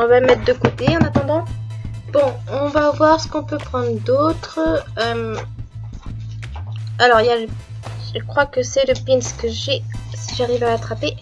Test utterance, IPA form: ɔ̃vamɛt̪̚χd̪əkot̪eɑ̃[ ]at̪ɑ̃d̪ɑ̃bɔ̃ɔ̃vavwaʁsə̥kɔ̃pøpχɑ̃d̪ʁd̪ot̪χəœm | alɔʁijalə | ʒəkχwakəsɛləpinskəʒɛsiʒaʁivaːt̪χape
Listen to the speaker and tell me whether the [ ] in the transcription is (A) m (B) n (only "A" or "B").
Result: B